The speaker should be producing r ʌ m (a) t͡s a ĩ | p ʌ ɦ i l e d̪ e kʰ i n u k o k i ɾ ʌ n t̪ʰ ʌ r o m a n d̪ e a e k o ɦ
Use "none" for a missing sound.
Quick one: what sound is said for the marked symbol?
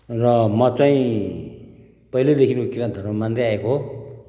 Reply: ʌ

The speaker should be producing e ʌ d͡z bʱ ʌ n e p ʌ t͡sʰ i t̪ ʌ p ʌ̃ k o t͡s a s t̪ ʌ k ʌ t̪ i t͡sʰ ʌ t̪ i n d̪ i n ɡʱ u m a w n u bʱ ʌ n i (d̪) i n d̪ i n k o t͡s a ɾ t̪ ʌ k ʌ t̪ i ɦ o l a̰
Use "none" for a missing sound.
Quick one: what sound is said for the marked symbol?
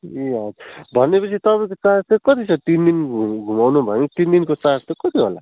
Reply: t̪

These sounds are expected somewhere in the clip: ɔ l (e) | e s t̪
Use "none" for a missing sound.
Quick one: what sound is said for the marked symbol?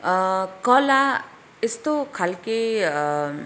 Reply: a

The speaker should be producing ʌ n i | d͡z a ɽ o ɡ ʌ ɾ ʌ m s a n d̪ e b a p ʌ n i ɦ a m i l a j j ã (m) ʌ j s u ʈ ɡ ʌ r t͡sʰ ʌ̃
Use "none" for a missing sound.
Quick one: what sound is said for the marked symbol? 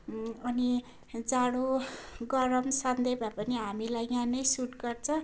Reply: n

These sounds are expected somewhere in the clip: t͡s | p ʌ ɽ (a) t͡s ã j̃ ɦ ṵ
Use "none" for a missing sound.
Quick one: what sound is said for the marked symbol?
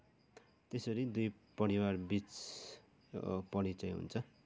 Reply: i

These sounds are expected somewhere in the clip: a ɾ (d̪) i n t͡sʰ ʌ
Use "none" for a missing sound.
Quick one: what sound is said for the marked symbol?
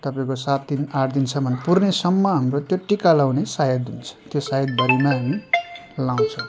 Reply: d̪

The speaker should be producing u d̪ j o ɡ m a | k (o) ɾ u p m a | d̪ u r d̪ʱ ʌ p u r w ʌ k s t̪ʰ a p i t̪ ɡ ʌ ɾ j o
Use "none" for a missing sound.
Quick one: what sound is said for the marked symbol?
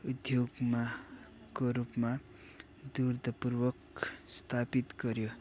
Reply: o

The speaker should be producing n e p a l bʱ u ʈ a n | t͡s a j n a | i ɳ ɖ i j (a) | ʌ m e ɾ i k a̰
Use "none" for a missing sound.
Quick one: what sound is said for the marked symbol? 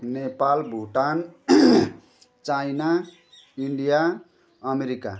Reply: a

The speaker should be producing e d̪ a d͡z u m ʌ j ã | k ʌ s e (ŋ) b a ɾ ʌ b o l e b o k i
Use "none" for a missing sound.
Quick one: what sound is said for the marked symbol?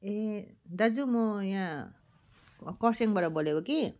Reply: ŋ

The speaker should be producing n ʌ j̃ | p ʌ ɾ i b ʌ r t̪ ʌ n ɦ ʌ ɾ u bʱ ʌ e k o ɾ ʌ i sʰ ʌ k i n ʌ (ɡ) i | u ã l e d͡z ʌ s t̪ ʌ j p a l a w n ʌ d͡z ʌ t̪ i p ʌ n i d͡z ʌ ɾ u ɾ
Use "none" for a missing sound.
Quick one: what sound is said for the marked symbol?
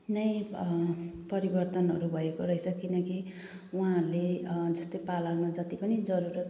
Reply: k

